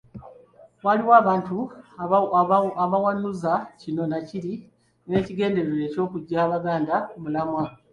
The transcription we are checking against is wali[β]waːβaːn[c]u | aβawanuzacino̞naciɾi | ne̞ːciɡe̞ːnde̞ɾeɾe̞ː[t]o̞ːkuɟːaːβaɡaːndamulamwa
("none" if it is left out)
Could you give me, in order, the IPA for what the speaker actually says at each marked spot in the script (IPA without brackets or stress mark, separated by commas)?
none, t, c